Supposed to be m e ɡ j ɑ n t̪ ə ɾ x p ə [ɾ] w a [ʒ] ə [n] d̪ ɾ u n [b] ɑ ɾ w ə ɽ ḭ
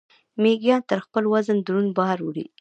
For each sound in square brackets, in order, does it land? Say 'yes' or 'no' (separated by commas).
no, no, yes, yes